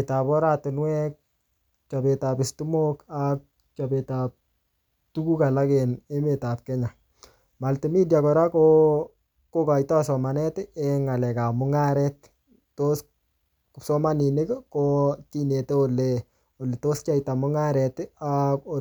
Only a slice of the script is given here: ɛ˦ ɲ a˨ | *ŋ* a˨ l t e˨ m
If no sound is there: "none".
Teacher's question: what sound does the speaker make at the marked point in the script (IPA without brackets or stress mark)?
m